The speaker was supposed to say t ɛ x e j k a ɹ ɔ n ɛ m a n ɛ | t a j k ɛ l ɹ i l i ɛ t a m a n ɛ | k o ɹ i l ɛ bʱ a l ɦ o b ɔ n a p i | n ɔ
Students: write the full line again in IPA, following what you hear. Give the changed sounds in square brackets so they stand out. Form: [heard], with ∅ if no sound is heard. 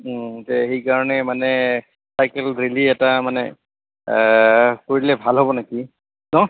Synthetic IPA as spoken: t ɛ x e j k a ɹ ɔ n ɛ m a n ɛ | [s] a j k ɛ l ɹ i l i ɛ t a m a n ɛ | k o ɹ i l ɛ bʱ a l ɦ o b ɔ n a [k] i | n ɔ